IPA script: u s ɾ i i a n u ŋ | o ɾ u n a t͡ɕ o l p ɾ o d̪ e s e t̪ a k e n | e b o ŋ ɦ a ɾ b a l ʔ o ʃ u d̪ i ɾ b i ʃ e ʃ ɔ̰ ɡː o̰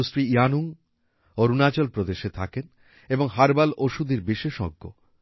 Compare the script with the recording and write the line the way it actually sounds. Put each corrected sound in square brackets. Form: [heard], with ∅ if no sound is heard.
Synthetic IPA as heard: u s ɾ i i a n u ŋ | o ɾ u n a t͡ɕ o l p ɾ o d̪ e [ʃ] e [t̪ʰ] a k e n | e b o ŋ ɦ a ɾ b a l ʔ o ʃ u d̪ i ɾ b i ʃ e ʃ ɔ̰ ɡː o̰

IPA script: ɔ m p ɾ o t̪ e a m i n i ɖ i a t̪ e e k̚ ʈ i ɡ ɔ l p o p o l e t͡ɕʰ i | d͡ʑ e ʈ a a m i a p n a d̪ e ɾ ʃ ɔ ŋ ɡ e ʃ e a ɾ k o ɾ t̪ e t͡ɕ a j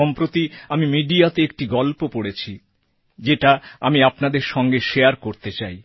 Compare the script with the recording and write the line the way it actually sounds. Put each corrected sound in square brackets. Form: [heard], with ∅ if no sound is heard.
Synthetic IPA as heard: ɔ m p ɾ o t̪ [i] a m i [m] i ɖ i a t̪ e e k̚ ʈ i ɡ ɔ l p o p o [ɽ] e t͡ɕʰ i | d͡ʑ e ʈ a a m i a p n a d̪ e ɾ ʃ ɔ ŋ ɡ e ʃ e a ɾ k o ɾ t̪ e t͡ɕ a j

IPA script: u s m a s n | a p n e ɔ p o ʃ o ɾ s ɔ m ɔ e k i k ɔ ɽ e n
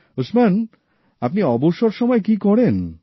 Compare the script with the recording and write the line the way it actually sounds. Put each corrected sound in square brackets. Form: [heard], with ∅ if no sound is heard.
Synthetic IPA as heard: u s m a [∅] n | a p n [i] ɔ [b] o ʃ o ɾ [ʃ] ɔ m ɔ e k i k ɔ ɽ e n

